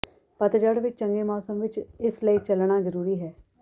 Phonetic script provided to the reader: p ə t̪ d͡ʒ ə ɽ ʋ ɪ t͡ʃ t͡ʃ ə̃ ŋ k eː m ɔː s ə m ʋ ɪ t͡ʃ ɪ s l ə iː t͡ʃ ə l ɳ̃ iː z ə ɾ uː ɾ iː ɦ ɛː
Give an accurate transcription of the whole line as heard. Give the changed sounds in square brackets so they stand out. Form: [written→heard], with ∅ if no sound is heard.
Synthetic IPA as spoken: p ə t̪ d͡ʒ ə ɽ ʋ ɪ t͡ʃ t͡ʃ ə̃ ŋ [k→ɡ] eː m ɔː s ə m ʋ ɪ t͡ʃ ɪ s l ə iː t͡ʃ ə l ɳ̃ [iː→aː] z ə ɾ uː ɾ iː ɦ ɛː